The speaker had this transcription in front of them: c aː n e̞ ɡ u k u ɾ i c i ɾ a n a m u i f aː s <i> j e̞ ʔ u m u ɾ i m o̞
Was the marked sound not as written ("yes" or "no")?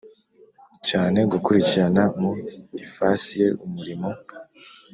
no